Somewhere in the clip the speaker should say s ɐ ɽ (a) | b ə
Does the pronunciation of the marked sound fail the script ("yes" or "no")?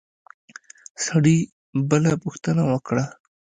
yes